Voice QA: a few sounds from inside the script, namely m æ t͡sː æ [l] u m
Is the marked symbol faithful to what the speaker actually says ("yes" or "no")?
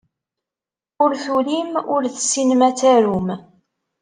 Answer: no